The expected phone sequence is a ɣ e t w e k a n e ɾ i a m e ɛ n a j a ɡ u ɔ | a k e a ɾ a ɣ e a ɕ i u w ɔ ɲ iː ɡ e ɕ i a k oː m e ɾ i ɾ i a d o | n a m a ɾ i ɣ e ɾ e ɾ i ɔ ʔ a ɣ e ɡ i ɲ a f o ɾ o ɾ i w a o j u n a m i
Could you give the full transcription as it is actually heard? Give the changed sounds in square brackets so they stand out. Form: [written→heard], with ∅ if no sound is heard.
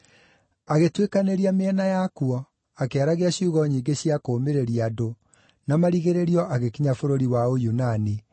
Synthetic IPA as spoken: a ɣ e t w e k a n e ɾ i a m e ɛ n a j a [ɡ→k] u ɔ | a k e a ɾ a ɣ e a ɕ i u [w→ɣ] ɔ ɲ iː ɡ e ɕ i a k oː m e ɾ [i→e] ɾ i a d o | n a m a ɾ i ɣ e ɾ e ɾ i ɔ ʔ a ɣ e [ɡ→k] i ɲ a f o ɾ o ɾ i w a o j u n a [m→n] i

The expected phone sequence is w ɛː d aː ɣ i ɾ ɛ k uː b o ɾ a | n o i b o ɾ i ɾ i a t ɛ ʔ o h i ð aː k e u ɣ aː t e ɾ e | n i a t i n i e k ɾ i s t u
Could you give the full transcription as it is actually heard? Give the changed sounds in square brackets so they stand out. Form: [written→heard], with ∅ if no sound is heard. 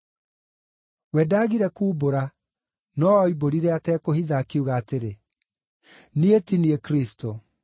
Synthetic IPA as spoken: w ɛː d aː ɣ i ɾ ɛ k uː b o ɾ a | n [o→ɔ] i b o ɾ i ɾ [i→ɛ] a t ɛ [ʔ→k] o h i ð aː k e u ɣ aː t e ɾ e | n i [a→e] t i n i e k ɾ i s t [u→o]

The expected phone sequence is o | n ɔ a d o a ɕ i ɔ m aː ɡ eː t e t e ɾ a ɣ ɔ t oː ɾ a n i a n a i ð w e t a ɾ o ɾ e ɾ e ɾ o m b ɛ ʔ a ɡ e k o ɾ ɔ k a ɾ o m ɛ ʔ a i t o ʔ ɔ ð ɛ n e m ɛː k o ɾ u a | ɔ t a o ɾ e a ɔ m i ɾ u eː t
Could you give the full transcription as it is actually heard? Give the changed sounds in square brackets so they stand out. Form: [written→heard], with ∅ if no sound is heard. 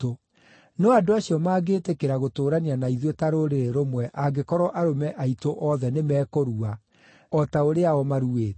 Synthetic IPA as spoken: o | n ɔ a d o a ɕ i ɔ m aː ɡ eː t e [t→k] e ɾ a ɣ [ɔ→o] t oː ɾ a n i a n a i ð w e t a ɾ o ɾ e ɾ e ɾ o m [b→w] ɛ ʔ a ɡ e k [o→ɔ] ɾ ɔ [k→ʔ] a ɾ o m ɛ ʔ a i t o ʔ ɔ ð ɛ n e m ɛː k o ɾ u a | ɔ t a o ɾ e a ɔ m [i→a] ɾ u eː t

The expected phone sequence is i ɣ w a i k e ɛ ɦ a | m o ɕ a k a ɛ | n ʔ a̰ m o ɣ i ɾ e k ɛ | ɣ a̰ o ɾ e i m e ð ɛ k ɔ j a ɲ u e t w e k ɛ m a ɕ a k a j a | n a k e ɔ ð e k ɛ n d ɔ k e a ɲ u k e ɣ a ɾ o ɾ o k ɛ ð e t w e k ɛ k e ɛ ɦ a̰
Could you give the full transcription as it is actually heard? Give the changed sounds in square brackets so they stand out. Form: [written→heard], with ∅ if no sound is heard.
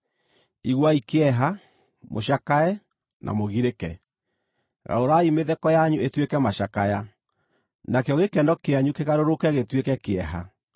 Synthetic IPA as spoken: i ɣ w a i k e ɛ ɦ a | m o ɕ a k a ɛ | n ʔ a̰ m o ɣ i ɾ e k ɛ | ɣ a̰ o ɾ [e→a] i m e ð ɛ k ɔ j a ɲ u e t w e k ɛ m a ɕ a k a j a | n a k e ɔ [ð→ɣ] e k ɛ n d ɔ k e a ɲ u k e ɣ a ɾ o ɾ o k ɛ [ð→ɣ] e t w e k ɛ k e ɛ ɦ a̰

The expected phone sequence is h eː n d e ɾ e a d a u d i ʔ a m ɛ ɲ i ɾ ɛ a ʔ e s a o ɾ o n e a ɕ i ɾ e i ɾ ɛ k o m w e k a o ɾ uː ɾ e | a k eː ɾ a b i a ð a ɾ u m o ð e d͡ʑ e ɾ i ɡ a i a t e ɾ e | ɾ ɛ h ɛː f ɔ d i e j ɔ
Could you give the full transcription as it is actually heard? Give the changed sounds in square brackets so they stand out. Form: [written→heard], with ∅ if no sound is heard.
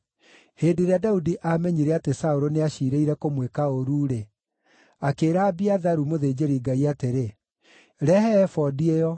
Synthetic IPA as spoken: h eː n d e ɾ e a d a u d i ʔ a m ɛ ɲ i ɾ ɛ a [ʔ→t] e s a o ɾ o n e a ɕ i ɾ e i ɾ ɛ k o m w e k a o ɾ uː ɾ e | a k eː ɾ a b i a ð a ɾ u m o ð e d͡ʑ e ɾ i ɡ a i a t e ɾ e | ɾ ɛ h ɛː f ɔ d i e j ɔ

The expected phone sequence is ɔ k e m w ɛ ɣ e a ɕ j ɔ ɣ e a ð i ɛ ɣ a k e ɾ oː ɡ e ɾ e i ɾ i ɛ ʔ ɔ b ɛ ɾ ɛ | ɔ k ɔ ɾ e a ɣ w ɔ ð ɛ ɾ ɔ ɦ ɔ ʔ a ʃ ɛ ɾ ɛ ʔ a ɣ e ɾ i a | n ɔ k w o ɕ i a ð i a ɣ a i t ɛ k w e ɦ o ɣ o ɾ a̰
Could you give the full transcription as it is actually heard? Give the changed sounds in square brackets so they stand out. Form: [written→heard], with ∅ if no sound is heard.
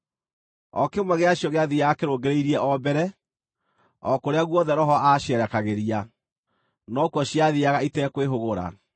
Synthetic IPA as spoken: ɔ k e m w ɛ ɣ e a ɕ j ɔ ɣ e a ð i [ɛ→a] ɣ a k e ɾ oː ɡ e ɾ e i ɾ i ɛ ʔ ɔ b ɛ ɾ ɛ | ɔ k [ɔ→o] ɾ e a ɣ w ɔ ð ɛ ɾ ɔ ɦ ɔ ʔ a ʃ ɛ ɾ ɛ [ʔ→k] a ɣ e ɾ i a | n ɔ k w [o→ɔ] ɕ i a ð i a ɣ a i t ɛ k w e ɦ o ɣ o ɾ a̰

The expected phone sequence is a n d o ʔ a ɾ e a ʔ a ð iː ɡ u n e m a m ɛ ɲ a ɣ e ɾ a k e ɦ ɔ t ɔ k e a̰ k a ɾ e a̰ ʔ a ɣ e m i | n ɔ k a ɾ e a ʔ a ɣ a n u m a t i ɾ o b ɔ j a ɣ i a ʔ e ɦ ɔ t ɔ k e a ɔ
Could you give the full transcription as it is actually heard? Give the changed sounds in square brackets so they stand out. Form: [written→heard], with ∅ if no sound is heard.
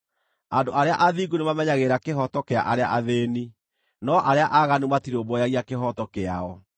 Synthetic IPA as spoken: a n d o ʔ a ɾ e a ʔ a ð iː ɡ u n e m a m ɛ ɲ a ɣ e ɾ a k e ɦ ɔ t ɔ k e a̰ [k→ʔ] a ɾ e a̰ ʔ a [ɣ→ð] e [m→n] i | n ɔ [k→ʔ] a ɾ e a ʔ a ɣ a n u m a t i ɾ o b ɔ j a ɣ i a [ʔ→k] e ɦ ɔ t ɔ k e a ɔ

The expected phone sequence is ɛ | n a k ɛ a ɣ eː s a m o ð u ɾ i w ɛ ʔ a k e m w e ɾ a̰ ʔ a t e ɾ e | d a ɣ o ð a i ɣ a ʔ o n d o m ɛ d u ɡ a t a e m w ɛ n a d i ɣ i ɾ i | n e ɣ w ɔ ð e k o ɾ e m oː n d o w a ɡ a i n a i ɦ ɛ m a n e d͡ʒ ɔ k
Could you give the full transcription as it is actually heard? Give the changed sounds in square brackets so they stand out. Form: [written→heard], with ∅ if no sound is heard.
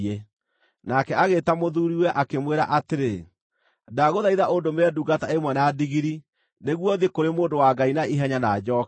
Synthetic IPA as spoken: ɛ | n a k ɛ a ɣ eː [s→t] a m o ð u ɾ i w ɛ ʔ a k e m w e ɾ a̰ ʔ a t e ɾ e | d a ɣ o ð a i [ɣ→ð] a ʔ o n d o m ɛ d u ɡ a t a e m w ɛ n a d i ɣ i ɾ i | n e ɣ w ɔ ð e k o ɾ e m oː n d o w a ɡ a i n a i ɦ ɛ [m→ɲ] a n [e→a] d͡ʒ ɔ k

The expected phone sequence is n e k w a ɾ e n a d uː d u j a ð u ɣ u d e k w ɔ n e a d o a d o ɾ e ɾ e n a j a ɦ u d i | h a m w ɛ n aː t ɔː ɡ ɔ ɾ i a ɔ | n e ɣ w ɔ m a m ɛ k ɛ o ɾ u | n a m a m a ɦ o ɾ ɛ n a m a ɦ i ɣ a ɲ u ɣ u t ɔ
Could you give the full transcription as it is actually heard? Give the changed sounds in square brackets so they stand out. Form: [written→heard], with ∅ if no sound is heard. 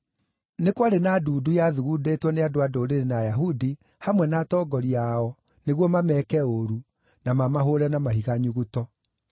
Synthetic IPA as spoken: n e k w a ɾ e n a d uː d u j a ð u ɣ u d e [k→t] w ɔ n e a d o a d o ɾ e ɾ e n a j a ɦ u d i | h a m w ɛ n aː t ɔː ɡ ɔ ɾ i a ɔ | n e ɣ w ɔ m a m ɛ k ɛ o ɾ u | n a m a m a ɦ o ɾ ɛ n a m a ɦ i ɣ a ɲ u ɣ u t ɔ

